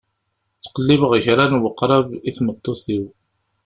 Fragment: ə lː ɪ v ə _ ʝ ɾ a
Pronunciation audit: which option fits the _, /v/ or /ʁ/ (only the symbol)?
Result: ʁ